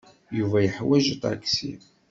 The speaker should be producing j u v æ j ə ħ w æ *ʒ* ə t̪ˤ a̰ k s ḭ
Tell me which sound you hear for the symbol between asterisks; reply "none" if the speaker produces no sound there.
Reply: ʒ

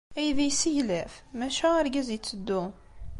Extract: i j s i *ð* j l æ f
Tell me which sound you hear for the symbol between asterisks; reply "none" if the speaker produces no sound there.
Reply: none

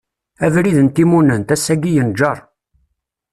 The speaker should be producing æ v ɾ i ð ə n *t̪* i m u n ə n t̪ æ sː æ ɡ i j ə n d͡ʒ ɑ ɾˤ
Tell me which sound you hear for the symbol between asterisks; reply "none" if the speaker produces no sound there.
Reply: t̪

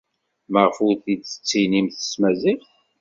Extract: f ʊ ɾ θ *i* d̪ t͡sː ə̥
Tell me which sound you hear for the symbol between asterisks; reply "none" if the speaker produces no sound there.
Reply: i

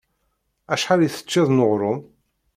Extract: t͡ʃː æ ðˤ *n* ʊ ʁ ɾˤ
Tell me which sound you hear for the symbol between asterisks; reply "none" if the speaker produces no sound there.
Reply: n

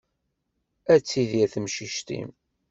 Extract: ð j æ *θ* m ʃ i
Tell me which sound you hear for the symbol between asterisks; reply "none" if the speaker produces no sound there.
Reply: θ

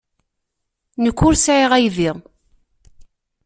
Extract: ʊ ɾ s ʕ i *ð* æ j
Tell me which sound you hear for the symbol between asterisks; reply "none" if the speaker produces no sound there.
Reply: ʁ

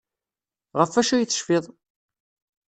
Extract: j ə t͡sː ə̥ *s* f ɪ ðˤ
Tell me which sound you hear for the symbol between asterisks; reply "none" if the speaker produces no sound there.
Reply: ʃ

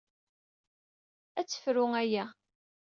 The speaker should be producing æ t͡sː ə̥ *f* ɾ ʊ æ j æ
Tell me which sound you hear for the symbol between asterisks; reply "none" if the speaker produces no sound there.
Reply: f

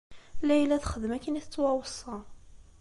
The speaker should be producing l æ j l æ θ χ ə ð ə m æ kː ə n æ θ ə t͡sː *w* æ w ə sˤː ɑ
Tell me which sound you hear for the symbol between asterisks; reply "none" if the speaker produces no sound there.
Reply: w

